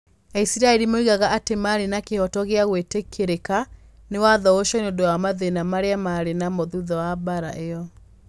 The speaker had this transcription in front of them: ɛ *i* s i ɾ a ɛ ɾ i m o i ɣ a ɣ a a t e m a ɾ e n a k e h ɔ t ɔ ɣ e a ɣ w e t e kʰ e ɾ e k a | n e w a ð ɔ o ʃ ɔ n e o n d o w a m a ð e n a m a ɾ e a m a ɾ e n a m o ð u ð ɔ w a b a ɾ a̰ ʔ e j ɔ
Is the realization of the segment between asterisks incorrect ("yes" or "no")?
no